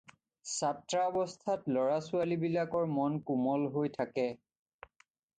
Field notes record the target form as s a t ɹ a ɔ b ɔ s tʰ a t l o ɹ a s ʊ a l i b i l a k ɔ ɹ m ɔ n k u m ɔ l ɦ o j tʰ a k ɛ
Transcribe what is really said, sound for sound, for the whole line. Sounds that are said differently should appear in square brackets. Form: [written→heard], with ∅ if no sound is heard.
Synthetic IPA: s a t ɹ a ɔ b ɔ s tʰ a t l [o→ɔ] ɹ a s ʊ a l i b i l a k ɔ ɹ m ɔ n k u m ɔ l ɦ o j tʰ a k ɛ

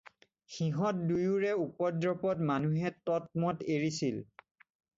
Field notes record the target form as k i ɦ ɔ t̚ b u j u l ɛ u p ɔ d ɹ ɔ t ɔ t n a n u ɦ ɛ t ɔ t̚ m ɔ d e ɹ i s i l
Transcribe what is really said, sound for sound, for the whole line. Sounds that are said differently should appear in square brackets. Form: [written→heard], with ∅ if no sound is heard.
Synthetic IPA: [k→x] i ɦ ɔ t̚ [b→d] u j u [l→ɹ] ɛ u p ɔ d ɹ ɔ [t→p] ɔ t [n→m] a n u ɦ ɛ t ɔ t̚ m ɔ [d→t] e ɹ i s i l

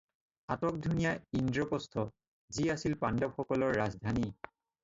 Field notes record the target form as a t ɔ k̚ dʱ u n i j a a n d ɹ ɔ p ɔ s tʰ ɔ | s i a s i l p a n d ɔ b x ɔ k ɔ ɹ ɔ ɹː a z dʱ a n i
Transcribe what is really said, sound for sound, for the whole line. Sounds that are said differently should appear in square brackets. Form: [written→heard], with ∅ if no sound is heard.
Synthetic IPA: a t ɔ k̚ dʱ u n i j a [a→i] n d ɹ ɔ p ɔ s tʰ ɔ | [s→z] i a s i l p a n d ɔ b x ɔ k ɔ [ɹ→l] ɔ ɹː a z dʱ a n i

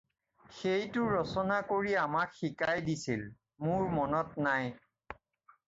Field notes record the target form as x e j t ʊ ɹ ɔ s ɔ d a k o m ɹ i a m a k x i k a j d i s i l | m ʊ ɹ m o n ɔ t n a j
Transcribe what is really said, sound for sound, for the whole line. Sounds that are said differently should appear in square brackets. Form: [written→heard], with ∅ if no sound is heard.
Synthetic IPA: x e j t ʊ ɹ ɔ s ɔ [d→n] a k o [m→∅] ɹ i a m a k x i k a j d i s i l | m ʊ ɹ m [o→ɔ] n ɔ t n a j

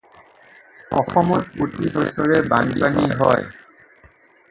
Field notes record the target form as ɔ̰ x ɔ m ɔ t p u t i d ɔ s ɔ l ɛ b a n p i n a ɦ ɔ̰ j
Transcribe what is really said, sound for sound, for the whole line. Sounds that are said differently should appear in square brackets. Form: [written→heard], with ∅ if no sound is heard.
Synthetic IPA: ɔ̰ x ɔ m ɔ t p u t i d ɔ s ɔ [l→ɹ] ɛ b a n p [i→a] n [a→i] ɦ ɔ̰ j

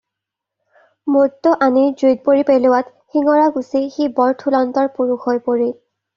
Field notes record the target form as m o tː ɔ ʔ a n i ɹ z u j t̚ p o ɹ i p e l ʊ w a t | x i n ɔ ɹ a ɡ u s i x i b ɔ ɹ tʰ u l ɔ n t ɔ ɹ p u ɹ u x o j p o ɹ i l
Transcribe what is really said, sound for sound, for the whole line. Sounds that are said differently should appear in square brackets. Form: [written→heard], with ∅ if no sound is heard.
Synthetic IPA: m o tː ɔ ʔ a n i ɹ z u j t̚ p o ɹ i p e l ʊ w a t | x i [n→ŋ] ɔ ɹ a ɡ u s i x i b ɔ ɹ tʰ u l ɔ n t ɔ ɹ p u ɹ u x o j p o ɹ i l

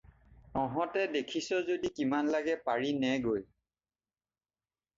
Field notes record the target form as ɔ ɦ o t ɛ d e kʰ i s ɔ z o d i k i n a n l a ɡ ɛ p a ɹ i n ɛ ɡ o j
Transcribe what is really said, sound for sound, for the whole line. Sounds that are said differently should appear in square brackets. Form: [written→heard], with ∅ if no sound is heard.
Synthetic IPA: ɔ ɦ [o→ɔ] t ɛ d e kʰ i s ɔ z o d i k i [n→m] a n l a ɡ ɛ p a ɹ i n ɛ ɡ o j

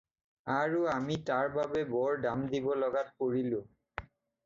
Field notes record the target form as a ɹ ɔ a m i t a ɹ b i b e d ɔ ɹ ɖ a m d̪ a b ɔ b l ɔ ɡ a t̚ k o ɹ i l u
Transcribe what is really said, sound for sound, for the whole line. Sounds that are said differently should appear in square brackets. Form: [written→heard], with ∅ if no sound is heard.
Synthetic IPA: a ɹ [ɔ→u] a m i t a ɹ b [i→a] b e [d→b] ɔ ɹ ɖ a m d̪ [a→i] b ɔ [b→∅] l ɔ ɡ a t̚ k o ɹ i l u

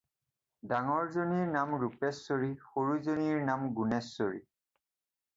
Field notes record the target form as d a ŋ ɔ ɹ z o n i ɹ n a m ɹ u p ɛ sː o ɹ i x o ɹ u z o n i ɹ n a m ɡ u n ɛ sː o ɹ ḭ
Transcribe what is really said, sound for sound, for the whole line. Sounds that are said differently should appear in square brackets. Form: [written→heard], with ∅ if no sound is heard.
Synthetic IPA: d a ŋ ɔ ɹ z o n i ɹ n a m ɹ u p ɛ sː o ɹ i x o ɹ u z o n i ɹ n a m ɡ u n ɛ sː o ɹ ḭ

